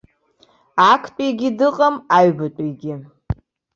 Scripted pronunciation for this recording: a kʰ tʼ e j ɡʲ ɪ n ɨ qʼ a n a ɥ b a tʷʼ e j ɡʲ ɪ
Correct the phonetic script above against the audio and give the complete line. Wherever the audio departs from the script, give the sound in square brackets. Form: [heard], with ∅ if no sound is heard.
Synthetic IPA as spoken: a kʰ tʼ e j ɡʲ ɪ [d] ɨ qʼ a [m] a ɥ b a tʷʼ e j ɡʲ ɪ